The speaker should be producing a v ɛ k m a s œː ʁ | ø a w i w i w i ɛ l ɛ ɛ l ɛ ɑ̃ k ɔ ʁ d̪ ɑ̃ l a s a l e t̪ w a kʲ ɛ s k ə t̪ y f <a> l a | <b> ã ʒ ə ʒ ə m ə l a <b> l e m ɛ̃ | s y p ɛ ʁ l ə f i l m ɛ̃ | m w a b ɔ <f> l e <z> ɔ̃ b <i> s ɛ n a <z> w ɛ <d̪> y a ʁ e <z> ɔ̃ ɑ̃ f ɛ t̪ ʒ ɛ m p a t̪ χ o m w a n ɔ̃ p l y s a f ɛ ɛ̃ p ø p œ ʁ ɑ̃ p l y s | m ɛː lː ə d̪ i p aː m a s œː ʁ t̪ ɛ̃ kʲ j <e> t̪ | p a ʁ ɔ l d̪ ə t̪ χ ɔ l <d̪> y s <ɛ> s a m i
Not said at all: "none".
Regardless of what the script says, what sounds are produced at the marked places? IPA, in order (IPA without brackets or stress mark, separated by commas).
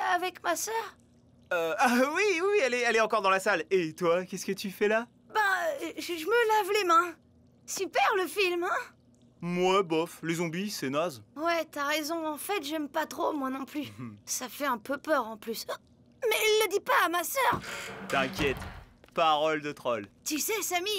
ɛ, b, v, f, z, i, z, t̪, z, ɛ, t̪, ɛ